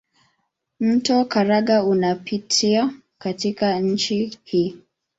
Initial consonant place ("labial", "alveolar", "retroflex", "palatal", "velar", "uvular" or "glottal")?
labial